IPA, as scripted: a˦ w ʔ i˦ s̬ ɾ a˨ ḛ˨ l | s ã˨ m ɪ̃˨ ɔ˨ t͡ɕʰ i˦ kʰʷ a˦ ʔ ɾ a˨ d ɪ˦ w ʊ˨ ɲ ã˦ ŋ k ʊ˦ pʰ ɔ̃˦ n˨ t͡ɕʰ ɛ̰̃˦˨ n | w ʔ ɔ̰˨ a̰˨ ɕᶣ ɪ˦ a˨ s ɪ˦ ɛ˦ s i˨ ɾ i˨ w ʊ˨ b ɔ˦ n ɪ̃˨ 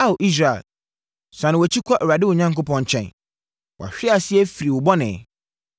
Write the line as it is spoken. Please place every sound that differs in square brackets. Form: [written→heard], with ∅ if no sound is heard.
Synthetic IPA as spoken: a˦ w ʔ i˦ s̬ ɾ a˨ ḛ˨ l | s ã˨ [m→n] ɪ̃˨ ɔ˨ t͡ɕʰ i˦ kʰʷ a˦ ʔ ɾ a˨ d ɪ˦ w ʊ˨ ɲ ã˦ ŋ k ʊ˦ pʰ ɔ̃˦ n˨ t͡ɕʰ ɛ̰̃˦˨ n | w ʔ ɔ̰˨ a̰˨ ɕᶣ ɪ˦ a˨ s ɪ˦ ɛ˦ [s→f] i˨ ɾ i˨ w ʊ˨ b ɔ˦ n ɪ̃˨